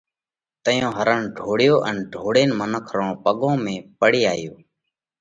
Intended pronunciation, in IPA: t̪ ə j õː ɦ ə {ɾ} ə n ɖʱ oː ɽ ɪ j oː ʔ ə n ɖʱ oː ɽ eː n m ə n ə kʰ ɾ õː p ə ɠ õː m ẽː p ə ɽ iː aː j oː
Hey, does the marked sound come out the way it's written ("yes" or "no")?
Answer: yes